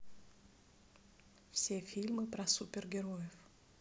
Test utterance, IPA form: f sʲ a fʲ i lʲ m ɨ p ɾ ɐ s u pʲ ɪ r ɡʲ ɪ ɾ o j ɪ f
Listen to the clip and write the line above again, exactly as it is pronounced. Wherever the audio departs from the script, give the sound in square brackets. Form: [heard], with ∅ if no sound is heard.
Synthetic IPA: f sʲ [e] fʲ i lʲ m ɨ p ɾ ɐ s u pʲ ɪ r ɡʲ ɪ ɾ o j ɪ f